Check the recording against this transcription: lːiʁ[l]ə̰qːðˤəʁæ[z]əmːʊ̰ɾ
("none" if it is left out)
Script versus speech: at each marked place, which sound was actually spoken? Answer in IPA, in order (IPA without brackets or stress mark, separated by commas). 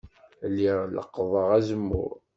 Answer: l, z